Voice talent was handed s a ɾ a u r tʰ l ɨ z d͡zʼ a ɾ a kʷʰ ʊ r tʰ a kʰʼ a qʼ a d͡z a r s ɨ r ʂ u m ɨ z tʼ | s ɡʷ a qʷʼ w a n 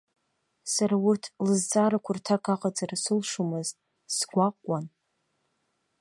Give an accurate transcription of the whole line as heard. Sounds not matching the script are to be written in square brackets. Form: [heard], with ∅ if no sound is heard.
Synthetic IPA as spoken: s a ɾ a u r tʰ l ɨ z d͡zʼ a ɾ a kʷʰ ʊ r tʰ a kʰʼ a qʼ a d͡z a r s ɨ [l] ʂ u m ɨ z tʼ | s ɡʷ a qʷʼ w a n